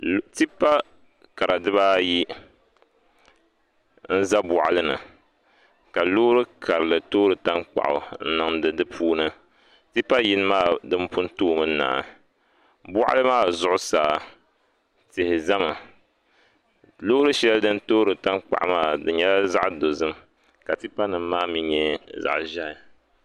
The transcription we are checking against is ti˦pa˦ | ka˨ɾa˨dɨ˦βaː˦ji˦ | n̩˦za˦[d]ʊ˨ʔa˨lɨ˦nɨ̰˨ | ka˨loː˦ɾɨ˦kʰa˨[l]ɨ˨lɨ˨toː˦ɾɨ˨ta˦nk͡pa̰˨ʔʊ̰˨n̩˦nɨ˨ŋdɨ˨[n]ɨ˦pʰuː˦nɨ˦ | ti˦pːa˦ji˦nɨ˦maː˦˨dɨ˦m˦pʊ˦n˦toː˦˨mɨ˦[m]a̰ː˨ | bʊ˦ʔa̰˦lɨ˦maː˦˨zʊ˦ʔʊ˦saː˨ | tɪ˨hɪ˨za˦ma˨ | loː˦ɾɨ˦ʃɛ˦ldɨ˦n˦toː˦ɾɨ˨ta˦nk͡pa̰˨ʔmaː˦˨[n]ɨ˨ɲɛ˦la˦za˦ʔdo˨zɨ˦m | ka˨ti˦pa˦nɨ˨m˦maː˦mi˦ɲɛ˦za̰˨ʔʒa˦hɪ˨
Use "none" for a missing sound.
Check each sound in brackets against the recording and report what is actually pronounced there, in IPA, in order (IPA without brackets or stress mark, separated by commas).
b, ɾ, d, n, d